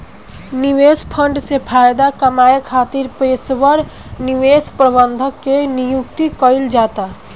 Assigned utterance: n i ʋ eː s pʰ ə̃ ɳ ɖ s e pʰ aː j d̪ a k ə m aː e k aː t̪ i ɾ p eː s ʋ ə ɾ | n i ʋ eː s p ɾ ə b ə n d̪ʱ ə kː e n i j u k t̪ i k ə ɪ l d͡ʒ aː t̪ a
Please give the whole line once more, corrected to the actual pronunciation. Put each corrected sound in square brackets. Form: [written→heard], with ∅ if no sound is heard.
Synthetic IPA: n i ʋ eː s pʰ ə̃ ɳ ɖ s e pʰ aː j d̪ a k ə m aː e [k→kʰ] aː t̪ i ɾ p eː s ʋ ə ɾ | n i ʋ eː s p ɾ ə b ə n d̪ʱ ə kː e n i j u k t̪ i k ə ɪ l d͡ʒ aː t̪ a